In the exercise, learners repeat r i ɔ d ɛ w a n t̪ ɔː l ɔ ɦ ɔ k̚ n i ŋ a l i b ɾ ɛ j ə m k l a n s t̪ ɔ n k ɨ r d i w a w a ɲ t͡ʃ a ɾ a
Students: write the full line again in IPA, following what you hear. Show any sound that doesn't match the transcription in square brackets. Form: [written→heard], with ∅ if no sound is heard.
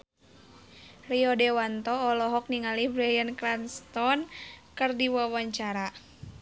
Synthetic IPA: r i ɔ d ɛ w a n t̪ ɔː l ɔ ɦ ɔ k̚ n i ŋ a l i b ɾ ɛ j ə [m→n] k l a n s t̪ ɔ n k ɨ r d i w a w a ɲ t͡ʃ a ɾ a